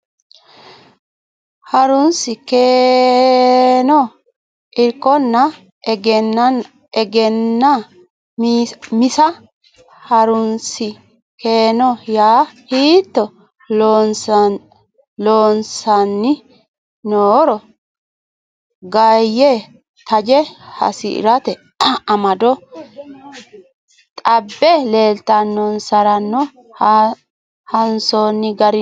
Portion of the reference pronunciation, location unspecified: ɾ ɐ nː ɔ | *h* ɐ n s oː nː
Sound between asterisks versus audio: correct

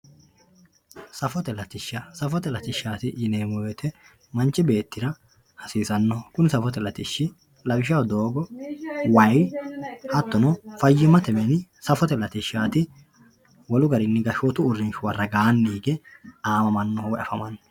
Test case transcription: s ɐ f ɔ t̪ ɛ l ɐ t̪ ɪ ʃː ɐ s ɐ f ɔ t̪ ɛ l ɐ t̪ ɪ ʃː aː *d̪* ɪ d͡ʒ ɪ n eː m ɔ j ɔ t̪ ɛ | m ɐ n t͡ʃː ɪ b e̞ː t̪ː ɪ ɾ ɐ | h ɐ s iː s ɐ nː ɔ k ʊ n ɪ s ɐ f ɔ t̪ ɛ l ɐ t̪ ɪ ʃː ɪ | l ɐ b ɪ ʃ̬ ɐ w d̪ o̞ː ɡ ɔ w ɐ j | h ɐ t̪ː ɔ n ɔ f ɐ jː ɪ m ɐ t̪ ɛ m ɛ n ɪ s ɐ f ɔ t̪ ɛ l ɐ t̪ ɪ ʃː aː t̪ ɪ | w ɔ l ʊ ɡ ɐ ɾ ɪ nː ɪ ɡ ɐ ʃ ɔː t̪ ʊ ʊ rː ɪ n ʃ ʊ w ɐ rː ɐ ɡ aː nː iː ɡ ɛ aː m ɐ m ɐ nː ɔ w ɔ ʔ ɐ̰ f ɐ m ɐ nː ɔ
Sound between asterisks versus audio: incorrect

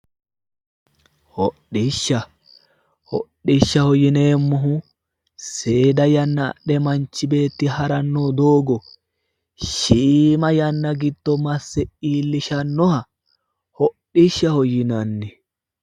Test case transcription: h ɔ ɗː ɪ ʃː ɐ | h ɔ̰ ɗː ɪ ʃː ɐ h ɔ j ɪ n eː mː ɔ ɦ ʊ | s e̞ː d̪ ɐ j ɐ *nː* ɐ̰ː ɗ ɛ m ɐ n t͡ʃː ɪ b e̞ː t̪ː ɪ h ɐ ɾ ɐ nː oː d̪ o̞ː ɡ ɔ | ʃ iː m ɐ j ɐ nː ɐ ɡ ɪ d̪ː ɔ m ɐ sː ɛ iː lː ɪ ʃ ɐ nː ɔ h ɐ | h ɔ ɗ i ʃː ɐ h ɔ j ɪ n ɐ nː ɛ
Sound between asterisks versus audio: correct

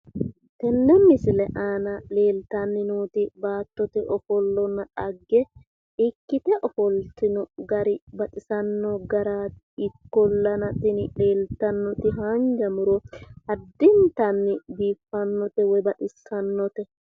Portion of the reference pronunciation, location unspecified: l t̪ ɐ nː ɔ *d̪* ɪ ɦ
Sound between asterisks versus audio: incorrect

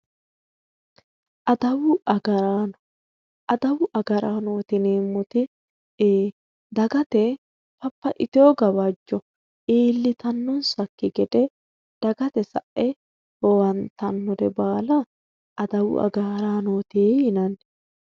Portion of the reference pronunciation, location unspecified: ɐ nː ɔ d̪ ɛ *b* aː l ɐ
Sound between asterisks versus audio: correct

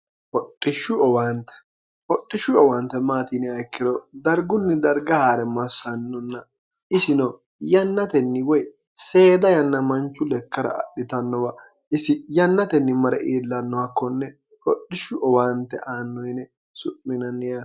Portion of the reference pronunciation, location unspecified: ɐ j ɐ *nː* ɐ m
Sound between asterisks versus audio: correct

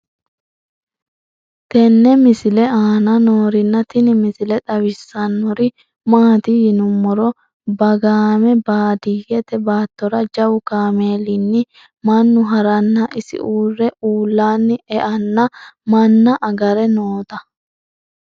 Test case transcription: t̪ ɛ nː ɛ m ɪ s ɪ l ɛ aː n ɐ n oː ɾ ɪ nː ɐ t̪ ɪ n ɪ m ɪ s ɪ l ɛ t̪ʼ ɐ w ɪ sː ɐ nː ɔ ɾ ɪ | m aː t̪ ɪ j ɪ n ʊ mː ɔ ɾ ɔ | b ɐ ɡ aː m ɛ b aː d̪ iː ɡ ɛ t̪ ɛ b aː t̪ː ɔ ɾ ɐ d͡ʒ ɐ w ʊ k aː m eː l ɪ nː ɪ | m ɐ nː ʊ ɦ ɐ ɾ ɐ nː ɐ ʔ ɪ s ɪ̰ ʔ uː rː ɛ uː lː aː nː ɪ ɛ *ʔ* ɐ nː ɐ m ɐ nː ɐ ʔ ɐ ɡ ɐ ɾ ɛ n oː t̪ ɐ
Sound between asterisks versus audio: correct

